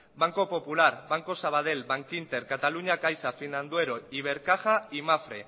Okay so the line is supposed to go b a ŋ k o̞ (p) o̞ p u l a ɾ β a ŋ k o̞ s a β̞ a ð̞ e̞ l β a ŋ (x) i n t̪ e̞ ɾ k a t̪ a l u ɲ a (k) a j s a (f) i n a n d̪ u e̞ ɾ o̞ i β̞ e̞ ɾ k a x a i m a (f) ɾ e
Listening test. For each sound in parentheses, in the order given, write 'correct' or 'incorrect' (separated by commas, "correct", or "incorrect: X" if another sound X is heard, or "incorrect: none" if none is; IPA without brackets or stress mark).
correct, incorrect: k, correct, correct, correct